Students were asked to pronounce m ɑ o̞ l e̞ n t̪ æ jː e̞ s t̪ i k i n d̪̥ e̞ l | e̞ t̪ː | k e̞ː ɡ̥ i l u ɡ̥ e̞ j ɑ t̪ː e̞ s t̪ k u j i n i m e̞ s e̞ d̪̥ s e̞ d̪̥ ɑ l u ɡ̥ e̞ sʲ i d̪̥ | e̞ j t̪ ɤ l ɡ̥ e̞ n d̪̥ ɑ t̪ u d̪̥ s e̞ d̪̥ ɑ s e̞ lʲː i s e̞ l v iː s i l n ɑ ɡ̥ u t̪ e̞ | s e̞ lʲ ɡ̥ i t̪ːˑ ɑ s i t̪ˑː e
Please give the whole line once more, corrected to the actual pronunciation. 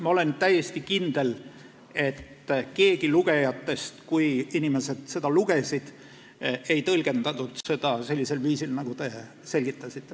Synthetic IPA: m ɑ o̞ l e̞ n t̪ æ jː e̞ s t̪ i k i n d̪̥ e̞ l | e̞ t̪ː | k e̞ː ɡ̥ i l u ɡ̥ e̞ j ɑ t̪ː e̞ s t̪ k u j i n i m e̞ s e̞ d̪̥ s e̞ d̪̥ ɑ l u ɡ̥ e̞ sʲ i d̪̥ | e̞ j t̪ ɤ l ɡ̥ e̞ n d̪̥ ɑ t̪ u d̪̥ s e̞ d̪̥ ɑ s e̞ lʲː i s e̞ l v iː s i l n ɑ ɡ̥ u t̪ e̞ | s e̞ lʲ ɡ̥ i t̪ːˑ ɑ s i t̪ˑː e